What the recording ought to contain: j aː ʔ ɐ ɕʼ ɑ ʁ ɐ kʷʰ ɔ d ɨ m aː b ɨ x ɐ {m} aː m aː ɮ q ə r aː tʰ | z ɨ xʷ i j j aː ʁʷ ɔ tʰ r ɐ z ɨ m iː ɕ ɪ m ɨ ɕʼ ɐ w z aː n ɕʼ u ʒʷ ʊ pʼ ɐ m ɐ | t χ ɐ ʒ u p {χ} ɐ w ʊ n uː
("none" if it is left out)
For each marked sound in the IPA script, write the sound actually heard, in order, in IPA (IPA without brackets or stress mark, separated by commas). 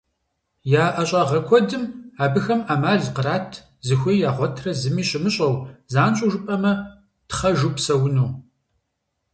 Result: m, s